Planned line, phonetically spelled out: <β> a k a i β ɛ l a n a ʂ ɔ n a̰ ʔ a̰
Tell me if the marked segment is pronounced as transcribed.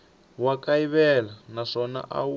no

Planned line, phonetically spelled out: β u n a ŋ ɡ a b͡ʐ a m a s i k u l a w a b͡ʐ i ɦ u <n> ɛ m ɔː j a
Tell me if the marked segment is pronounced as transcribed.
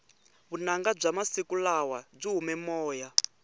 no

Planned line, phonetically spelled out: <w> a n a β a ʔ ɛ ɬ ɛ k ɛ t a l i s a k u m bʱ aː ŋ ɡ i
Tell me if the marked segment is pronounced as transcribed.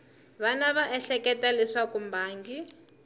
no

